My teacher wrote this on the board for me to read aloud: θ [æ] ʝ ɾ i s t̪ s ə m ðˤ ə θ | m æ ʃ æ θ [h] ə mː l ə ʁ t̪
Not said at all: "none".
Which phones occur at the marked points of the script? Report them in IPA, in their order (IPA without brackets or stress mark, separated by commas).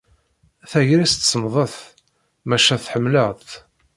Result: æ, ħ